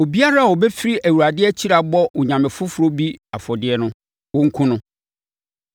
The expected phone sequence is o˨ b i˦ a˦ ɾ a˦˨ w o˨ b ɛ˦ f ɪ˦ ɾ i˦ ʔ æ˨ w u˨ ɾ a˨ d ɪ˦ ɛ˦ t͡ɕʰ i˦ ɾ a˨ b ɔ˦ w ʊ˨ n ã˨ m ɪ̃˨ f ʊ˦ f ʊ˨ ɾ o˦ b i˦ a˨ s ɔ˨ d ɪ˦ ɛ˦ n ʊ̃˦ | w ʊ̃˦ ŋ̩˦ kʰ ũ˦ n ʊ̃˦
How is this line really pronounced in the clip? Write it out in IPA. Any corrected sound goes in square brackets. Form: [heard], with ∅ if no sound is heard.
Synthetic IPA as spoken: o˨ b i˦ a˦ ɾ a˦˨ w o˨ b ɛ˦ f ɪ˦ ɾ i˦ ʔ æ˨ w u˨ ɾ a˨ d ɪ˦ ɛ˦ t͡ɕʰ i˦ ɾ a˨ b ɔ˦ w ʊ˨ [ɲ] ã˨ m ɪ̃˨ f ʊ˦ f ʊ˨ ɾ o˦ b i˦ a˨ [f] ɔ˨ d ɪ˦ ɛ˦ n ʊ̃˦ | w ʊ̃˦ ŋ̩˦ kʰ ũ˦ n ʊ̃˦